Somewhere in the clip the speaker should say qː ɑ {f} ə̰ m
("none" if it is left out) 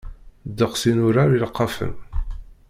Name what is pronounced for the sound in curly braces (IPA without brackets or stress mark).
f